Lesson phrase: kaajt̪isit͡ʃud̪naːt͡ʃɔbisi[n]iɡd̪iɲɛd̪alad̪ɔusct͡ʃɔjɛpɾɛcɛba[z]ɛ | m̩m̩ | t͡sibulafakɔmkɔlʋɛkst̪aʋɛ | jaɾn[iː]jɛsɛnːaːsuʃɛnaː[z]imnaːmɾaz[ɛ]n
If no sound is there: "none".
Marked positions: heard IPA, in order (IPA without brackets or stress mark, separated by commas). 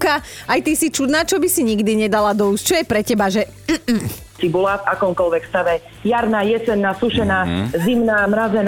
ɲ, ʒ, aː, z, ɛ